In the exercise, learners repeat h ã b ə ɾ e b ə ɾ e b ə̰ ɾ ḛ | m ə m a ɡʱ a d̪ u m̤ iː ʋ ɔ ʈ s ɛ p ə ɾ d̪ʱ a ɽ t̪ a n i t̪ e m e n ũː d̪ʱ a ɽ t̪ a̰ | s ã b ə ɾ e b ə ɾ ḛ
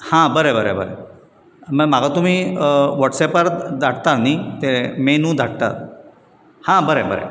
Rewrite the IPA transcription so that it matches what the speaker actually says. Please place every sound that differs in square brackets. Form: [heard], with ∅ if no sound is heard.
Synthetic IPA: h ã b ə ɾ e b ə ɾ e b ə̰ ɾ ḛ | m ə m a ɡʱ a [t̪] u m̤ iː ʋ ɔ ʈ s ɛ p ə ɾ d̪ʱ a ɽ t̪ a n i t̪ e m e n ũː d̪ʱ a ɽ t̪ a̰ | [h] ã b ə ɾ e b ə ɾ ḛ